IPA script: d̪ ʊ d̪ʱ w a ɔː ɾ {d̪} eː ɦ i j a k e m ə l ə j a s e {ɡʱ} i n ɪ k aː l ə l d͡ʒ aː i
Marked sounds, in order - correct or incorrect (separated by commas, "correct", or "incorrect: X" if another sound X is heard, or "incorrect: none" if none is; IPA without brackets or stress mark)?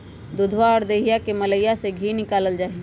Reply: correct, correct